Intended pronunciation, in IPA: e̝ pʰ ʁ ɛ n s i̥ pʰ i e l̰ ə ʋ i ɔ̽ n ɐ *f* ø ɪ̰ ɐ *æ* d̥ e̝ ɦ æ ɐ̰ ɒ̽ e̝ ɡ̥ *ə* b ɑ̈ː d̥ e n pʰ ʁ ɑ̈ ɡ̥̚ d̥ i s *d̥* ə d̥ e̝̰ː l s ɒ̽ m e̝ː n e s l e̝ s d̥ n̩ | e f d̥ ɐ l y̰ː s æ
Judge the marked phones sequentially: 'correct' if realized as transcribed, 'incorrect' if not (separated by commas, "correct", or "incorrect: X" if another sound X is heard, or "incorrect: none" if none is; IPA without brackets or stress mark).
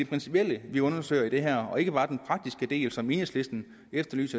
incorrect: s, incorrect: i, correct, incorrect: ɡ̥